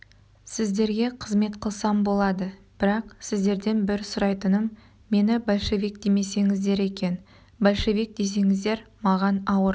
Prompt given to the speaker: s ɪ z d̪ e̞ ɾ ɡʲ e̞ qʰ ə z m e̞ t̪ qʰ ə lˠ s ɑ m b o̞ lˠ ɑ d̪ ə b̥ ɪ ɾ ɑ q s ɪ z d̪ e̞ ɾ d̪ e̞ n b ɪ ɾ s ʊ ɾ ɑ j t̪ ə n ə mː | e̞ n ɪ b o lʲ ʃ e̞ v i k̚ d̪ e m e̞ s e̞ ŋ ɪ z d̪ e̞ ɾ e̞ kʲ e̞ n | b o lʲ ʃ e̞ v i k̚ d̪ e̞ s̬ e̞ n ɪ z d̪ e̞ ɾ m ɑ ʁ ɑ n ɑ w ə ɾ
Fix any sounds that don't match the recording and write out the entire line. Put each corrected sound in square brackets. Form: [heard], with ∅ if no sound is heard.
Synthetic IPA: s ɪ z d̪ e̞ ɾ ɡʲ e̞ qʰ ə z m e̞ t̪ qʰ ə lˠ s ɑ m b o̞ lˠ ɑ d̪ ə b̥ ɪ ɾ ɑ q s ɪ z d̪ e̞ ɾ d̪ e̞ n b ɪ ɾ s ʊ ɾ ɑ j t̪ ə n ə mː | e̞ n ɪ b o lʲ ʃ e̞ v i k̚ d̪ e m e̞ s e̞ ŋ ɪ z d̪ e̞ ɾ e̞ kʲ e̞ n | b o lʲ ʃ e̞ v i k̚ d̪ e̞ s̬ e̞ [ŋ] ɪ z d̪ e̞ ɾ m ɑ ʁ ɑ n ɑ w ə ɾ